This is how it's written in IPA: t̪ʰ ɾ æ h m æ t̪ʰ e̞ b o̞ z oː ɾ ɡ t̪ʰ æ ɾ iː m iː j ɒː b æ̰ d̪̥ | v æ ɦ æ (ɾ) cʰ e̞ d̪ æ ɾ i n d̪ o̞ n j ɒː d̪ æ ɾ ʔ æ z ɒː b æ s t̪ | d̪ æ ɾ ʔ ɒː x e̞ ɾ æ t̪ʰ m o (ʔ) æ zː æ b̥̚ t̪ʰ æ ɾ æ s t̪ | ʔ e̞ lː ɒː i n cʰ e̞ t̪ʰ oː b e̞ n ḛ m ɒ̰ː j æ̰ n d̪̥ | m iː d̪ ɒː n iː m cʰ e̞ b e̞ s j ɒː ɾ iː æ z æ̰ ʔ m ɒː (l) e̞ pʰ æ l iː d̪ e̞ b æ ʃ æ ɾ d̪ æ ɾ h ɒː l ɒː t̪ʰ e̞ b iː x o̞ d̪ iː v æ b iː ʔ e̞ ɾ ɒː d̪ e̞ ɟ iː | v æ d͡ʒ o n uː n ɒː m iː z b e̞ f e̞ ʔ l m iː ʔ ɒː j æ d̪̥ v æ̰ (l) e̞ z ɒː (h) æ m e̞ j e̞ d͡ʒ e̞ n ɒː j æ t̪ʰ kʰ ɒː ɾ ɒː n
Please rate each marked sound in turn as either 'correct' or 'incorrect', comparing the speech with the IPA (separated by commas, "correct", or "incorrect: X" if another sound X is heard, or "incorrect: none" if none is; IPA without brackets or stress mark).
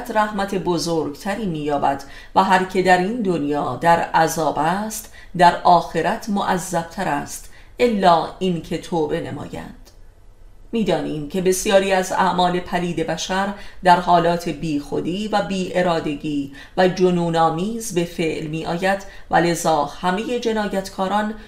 correct, correct, correct, correct, correct